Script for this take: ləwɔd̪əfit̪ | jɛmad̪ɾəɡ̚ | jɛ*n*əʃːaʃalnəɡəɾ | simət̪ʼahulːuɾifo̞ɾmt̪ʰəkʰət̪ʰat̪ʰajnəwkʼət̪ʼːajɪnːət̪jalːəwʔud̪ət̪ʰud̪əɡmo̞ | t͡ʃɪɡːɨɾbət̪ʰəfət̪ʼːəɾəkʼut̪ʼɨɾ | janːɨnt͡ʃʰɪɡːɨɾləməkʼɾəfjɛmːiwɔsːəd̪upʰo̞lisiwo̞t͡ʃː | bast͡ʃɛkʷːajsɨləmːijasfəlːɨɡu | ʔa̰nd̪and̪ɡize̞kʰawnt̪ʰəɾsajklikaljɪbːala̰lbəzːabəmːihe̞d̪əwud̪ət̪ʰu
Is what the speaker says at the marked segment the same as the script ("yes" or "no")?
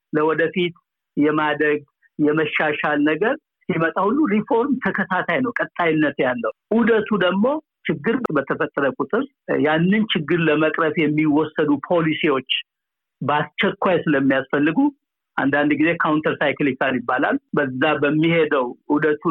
no